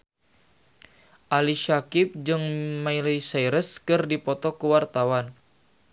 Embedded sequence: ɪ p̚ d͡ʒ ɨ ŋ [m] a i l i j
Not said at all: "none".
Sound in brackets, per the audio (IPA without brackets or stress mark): m